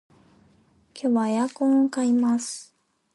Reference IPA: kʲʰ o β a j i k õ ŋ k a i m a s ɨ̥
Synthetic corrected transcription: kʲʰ o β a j a k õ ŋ k a i m a s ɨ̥